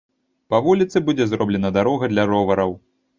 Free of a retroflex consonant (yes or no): yes